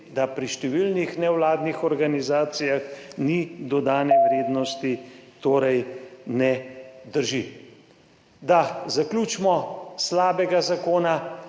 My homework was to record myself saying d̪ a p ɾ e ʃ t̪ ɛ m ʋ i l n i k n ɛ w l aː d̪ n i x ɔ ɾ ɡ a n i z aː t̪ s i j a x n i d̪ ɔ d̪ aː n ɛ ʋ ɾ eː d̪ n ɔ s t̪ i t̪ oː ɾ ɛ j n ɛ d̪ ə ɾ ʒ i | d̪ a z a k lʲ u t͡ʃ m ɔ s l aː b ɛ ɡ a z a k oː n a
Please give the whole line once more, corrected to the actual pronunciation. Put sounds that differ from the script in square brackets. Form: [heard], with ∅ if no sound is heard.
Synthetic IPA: d̪ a p ɾ [i] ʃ t̪ ɛ [∅] ʋ i l n i [x] n ɛ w l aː d̪ n i x ɔ ɾ ɡ a n i z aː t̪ s i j a x n i d̪ ɔ d̪ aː n ɛ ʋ ɾ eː d̪ n ɔ s t̪ i t̪ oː ɾ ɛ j n ɛ d̪ ə ɾ ʒ i | d̪ a z a k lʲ u t͡ʃ m ɔ s l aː b ɛ ɡ a z a k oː n a

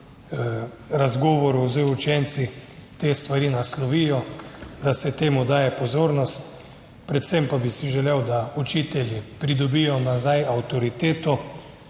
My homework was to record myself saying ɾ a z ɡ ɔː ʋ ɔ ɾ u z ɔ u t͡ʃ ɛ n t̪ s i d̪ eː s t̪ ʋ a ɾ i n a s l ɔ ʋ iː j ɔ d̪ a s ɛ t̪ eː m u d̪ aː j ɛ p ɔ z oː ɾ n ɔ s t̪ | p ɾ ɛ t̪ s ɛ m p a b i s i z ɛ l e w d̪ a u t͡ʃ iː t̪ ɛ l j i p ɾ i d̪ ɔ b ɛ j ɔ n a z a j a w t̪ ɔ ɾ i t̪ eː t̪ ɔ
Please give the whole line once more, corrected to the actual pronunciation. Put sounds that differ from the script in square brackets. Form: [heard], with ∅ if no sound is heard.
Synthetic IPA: ɾ a z ɡ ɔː ʋ ɔ ɾ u z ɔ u t͡ʃ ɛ n t̪ s i [t̪] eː s t̪ ʋ a ɾ i n a s l ɔ ʋ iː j ɔ d̪ a s ɛ t̪ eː m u d̪ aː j ɛ p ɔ z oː ɾ n ɔ s t̪ | p ɾ ɛ t̪ s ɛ m p a b i s i [ʒ] ɛ l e w d̪ a u t͡ʃ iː t̪ ɛ l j i p ɾ i d̪ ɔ b [i] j ɔ n a z a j a w t̪ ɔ ɾ i t̪ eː t̪ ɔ

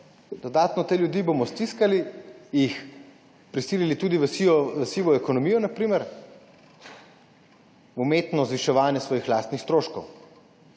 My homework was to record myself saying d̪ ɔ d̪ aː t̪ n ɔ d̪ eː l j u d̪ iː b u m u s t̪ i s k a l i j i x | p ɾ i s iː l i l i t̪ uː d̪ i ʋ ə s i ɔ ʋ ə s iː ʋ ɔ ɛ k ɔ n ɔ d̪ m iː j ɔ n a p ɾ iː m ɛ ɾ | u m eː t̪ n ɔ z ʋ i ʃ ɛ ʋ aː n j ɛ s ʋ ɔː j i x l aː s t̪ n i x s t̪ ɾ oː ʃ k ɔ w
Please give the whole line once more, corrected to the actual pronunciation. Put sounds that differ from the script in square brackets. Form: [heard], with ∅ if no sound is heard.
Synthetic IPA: d̪ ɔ d̪ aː t̪ n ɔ [t̪] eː l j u d̪ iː b [o] m [ɔ] s t̪ i s k a l i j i x | p ɾ i s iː l i l i t̪ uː d̪ i ʋ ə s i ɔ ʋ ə s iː ʋ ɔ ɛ k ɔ n ɔ [∅] m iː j ɔ n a p ɾ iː m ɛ ɾ | u m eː t̪ n ɔ z ʋ i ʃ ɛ ʋ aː n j ɛ s ʋ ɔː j i x l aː s t̪ n i x s t̪ ɾ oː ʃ k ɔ w

